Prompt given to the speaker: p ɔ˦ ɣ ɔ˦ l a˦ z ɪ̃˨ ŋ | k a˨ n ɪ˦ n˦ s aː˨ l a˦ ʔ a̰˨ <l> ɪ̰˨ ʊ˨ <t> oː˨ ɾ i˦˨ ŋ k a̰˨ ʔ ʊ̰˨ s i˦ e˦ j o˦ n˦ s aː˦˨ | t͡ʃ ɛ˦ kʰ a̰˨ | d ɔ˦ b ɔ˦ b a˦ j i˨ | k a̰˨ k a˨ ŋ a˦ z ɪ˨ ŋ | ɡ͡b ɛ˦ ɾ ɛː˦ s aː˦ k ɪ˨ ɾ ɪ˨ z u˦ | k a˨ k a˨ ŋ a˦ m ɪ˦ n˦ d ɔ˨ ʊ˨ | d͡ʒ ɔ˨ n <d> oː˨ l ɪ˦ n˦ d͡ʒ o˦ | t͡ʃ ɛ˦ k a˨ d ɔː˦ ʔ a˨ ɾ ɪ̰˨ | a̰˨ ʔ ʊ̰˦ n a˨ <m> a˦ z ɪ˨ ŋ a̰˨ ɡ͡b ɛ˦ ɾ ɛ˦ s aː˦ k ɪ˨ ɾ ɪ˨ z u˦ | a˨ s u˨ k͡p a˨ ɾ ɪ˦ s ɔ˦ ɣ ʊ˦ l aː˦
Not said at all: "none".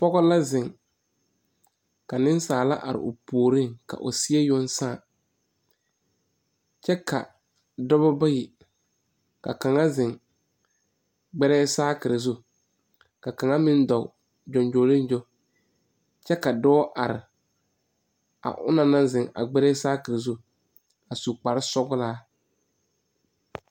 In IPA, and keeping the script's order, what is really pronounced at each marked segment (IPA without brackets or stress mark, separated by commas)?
ɾ, p, d͡ʒ, n